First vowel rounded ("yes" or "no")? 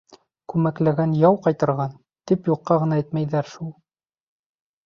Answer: yes